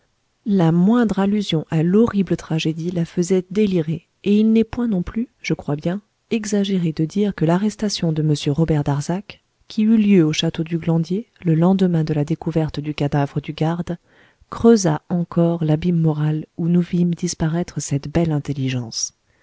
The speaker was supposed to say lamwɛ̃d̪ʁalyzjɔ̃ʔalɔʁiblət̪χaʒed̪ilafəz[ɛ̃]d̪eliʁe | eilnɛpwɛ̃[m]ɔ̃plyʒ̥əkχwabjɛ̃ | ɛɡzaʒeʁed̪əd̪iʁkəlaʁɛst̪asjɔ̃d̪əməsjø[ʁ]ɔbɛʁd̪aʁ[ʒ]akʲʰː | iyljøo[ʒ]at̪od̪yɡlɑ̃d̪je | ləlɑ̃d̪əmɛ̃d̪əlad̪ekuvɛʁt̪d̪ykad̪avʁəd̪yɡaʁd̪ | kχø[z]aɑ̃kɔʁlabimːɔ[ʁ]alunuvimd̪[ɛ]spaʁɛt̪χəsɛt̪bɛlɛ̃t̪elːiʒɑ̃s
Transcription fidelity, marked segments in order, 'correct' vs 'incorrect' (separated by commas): incorrect, incorrect, correct, incorrect, incorrect, correct, correct, incorrect